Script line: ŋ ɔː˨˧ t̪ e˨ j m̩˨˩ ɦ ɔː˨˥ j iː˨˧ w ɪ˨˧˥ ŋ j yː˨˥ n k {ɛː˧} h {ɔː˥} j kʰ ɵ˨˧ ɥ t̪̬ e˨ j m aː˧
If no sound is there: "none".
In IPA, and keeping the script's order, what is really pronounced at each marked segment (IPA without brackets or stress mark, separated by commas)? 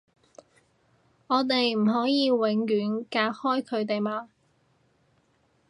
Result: aː˧, ɔː˥